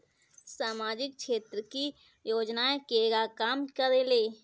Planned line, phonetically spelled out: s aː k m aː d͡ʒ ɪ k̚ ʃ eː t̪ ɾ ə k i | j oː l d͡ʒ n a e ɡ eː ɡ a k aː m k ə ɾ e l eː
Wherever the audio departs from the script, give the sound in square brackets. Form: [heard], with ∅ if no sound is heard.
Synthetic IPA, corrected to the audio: s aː [∅] m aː d͡ʒ ɪ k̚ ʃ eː t̪ ɾ ə k i | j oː [∅] d͡ʒ n a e [k] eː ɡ a k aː m k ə ɾ e l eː